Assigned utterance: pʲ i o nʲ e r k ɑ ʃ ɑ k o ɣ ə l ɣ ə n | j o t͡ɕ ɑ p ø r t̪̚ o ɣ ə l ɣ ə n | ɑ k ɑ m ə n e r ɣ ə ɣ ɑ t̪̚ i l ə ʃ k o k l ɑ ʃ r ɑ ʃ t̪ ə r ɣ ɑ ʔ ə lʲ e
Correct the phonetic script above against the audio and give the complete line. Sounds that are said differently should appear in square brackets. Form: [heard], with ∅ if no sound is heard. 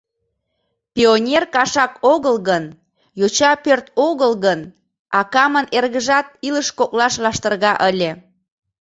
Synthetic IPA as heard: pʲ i o nʲ e r k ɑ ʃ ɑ k o ɣ ə l ɣ ə n | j o t͡ɕ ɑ p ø r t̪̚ o ɣ ə l ɣ ə n | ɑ k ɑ m ə n e r ɣ ə [ʒ] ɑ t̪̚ i l ə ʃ k o k l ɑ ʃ [l] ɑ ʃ t̪ ə r ɣ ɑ ʔ ə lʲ e

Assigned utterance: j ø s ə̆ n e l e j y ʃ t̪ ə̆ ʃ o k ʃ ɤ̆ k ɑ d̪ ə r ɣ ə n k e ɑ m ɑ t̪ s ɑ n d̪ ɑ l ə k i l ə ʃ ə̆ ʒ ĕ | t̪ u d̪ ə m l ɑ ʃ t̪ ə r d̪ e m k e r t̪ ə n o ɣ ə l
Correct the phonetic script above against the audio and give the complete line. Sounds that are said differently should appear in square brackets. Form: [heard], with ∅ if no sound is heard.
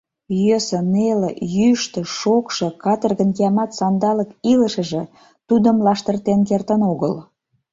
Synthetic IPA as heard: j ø s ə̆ n e l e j y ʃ t̪ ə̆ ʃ o k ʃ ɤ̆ k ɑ [t̪] ə r ɣ ə n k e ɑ m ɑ t̪ s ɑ n d̪ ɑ l ə k i l ə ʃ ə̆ ʒ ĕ | t̪ u d̪ ə m l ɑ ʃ t̪ ə r [t̪] e [n] k e r t̪ ə n o ɣ ə l

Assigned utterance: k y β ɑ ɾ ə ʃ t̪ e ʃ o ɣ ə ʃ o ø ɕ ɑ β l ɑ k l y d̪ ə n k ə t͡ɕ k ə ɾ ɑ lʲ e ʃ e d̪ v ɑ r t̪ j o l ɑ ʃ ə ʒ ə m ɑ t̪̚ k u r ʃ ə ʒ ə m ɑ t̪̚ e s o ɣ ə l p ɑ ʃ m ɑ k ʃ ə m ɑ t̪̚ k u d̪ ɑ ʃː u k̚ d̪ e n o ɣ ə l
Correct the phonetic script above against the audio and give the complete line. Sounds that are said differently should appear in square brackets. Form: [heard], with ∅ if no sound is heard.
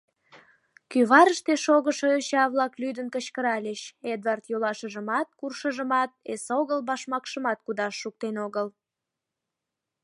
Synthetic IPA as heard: k y β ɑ ɾ ə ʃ t̪ e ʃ o ɣ ə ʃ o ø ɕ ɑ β l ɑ k l y d̪ ə n k ə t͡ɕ k ə ɾ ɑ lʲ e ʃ e d̪ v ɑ r t̪ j o l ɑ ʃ ə ʒ ə m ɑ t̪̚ k u r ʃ ə ʒ ə m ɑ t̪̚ e s o ɣ ə l [b] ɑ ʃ m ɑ k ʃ ə m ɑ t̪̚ k u d̪ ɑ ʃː u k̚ [t̪] e n o ɣ ə l

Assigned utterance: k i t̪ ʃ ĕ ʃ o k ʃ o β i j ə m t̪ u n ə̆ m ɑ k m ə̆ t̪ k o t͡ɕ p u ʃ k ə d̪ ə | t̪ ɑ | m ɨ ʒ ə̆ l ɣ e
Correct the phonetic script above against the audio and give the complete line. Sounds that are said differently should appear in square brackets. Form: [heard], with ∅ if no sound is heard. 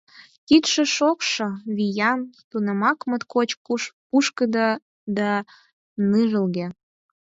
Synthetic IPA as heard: k i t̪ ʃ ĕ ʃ o k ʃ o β i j [ɑ] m t̪ u n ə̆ m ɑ k m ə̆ t̪ k o t͡ɕ p u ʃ k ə d̪ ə | [d̪] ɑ | [n] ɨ ʒ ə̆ l ɣ e

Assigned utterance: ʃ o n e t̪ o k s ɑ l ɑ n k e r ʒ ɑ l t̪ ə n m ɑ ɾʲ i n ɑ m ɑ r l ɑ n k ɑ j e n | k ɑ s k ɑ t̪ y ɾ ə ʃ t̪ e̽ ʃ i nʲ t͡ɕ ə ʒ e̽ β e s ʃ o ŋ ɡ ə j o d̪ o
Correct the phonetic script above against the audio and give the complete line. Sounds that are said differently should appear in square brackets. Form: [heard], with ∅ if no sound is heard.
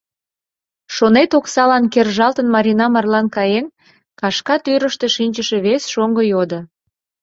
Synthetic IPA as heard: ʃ o n e t̪ o k s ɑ l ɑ n k e r ʒ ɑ l t̪ ə n m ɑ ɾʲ i n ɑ m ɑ r l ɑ n k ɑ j e n | k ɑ [ʃ] k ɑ t̪ y ɾ ə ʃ t̪ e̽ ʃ i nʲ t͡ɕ ə [ʃ] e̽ β e s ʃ o ŋ ɡ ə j o d̪ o

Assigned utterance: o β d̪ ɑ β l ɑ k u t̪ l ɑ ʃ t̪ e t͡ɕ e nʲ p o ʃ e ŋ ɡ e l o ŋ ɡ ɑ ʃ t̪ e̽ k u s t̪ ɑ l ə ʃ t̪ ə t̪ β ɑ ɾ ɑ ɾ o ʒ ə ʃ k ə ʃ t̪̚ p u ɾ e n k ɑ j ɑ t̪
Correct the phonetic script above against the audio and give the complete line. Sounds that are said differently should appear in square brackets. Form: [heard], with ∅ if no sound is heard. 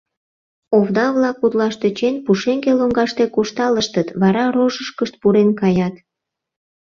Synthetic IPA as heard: o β d̪ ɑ β l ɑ k u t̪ l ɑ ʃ t̪ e t͡ɕ e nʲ p [u] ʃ e ŋ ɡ e l o ŋ ɡ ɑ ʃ t̪ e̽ k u [ʃ] t̪ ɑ l ə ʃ t̪ ə t̪ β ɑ ɾ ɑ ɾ o ʒ ə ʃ k ə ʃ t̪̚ p u ɾ e n k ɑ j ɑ t̪

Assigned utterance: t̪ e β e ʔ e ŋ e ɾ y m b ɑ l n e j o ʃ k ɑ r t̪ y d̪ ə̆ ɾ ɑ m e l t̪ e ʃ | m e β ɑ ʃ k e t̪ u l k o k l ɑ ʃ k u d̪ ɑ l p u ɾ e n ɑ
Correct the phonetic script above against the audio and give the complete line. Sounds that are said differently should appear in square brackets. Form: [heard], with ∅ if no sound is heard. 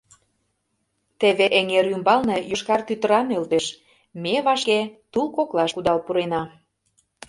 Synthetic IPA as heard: t̪ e β e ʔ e ŋ e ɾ y m b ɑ l n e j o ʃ k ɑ r t̪ y [t̪] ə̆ ɾ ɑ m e l t̪ e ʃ | m e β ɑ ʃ k e t̪ u l k o k l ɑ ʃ k u d̪ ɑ l p u ɾ e n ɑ

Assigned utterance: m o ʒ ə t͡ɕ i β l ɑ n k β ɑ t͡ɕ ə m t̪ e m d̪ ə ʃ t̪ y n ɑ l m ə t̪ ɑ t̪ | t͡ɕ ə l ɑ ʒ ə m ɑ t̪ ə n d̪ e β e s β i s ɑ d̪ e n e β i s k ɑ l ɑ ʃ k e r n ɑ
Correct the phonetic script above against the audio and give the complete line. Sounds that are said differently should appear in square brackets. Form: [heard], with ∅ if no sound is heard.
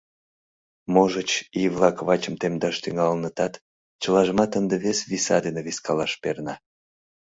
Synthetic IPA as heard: m o ʒ ə t͡ɕ i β l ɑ [∅] k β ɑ t͡ɕ ə m t̪ e m d̪ [ɑ] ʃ t̪ y [ŋ] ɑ l [n] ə t̪ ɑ t̪ | t͡ɕ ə l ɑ ʒ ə m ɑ t̪ ə n d̪ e β e s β i s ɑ d̪ e n e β i s k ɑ l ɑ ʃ [p] e r n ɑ

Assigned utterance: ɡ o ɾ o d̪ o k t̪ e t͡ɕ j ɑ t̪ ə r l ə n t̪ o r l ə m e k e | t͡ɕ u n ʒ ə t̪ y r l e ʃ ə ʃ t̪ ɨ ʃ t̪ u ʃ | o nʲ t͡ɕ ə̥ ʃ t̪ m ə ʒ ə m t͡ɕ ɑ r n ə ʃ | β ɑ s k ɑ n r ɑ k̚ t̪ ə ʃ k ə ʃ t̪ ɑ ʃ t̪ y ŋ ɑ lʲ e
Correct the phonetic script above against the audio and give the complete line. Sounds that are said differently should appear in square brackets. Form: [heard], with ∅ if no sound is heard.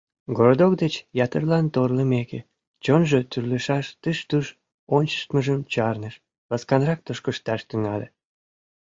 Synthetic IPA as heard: ɡ o ɾ o d̪ o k [d̪] e t͡ɕ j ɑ t̪ ə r l [ɑ] n t̪ o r l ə m e k e | t͡ɕ [o] n ʒ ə t̪ y r l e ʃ [ɑ] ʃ t̪ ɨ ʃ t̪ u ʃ | o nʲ t͡ɕ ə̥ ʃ t̪ m ə ʒ ə m t͡ɕ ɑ r n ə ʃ | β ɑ s k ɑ n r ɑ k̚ t̪ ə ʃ k ə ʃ t̪ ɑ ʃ t̪ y ŋ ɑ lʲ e

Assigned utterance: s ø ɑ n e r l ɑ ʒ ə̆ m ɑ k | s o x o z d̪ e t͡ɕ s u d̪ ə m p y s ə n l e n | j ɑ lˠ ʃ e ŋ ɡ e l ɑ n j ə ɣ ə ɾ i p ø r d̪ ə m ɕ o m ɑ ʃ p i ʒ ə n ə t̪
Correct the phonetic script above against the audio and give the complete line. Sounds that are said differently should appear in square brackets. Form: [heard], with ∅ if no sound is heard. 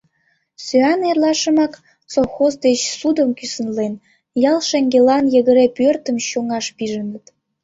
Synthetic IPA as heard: s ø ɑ n e r l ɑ [ʃ] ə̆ m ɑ k | s o x o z d̪ e t͡ɕ s u d̪ ə m [k] y s ə n l e n | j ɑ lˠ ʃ e ŋ ɡ e l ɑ n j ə ɣ ə ɾ [e] p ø r [t̪] ə m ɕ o [ŋ] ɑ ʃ p i ʒ ə n ə t̪

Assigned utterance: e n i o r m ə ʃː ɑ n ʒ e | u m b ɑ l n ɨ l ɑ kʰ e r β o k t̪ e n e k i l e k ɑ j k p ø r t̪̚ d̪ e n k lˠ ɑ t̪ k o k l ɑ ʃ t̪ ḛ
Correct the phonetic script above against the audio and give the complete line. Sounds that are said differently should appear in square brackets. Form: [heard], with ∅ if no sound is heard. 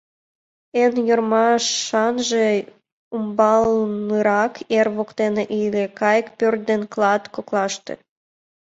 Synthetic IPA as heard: e n [j] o r m [ɑ] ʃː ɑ n ʒ e | u m b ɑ l n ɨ [ɾ] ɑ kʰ e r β o k t̪ e n e [ʔ] i l e k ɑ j k p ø r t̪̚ d̪ e n k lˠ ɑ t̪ k o k l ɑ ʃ t̪ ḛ

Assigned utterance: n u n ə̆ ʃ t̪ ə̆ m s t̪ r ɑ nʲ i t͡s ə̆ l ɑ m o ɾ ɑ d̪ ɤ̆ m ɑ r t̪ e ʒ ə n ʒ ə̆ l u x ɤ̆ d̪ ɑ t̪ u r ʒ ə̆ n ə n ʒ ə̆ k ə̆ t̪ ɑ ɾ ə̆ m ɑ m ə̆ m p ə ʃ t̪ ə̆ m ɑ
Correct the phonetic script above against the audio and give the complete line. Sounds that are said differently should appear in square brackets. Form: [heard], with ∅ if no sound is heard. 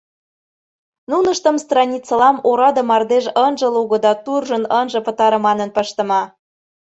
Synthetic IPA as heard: n u n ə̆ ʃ t̪ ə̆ m s t̪ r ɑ nʲ i t͡s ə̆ l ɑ m o ɾ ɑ d̪ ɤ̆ m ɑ r [d̪] e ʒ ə n ʒ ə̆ l u [ɣ] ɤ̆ d̪ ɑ t̪ u r ʒ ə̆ n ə n ʒ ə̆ [p] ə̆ t̪ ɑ ɾ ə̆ m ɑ [n] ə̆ [n] p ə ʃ t̪ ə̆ m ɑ

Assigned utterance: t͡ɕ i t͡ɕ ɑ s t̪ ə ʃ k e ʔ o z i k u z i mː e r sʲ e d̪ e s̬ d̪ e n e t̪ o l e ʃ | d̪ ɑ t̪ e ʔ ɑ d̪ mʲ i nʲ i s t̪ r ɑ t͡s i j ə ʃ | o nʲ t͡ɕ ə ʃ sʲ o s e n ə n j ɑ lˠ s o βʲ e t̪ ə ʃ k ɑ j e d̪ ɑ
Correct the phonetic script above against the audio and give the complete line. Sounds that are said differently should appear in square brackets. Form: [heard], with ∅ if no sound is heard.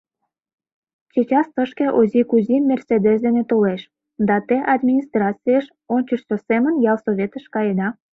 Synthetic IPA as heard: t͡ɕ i t͡ɕ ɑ s t̪ ə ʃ k e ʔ o z i k u z i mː e r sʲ e d̪ e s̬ d̪ e n e t̪ o l e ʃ | d̪ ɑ t̪ e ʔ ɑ d̪ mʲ i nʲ i s t̪ r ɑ t͡s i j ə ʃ | o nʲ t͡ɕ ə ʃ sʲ o s e [m] ə n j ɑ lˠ s o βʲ e t̪ ə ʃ k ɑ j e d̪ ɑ

